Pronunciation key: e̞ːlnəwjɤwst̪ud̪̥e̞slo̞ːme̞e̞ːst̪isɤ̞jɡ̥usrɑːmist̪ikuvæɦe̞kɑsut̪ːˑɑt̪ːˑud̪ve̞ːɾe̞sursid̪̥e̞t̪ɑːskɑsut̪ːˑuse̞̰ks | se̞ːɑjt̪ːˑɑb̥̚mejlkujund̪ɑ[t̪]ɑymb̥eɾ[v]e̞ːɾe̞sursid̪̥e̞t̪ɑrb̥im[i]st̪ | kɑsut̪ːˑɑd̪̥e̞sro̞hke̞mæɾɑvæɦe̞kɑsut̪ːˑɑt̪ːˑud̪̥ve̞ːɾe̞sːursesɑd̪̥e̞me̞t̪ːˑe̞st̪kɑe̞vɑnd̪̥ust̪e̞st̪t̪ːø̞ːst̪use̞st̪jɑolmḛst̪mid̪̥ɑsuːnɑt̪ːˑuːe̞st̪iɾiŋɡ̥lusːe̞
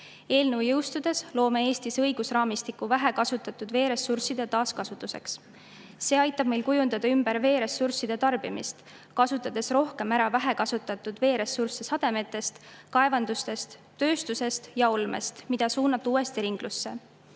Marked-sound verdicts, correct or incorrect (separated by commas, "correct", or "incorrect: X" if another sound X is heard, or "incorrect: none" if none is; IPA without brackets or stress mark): incorrect: d̪, correct, correct